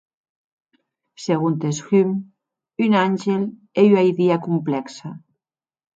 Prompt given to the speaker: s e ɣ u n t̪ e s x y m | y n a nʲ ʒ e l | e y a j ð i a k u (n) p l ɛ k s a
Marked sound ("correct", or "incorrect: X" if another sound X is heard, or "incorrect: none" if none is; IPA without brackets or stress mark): incorrect: m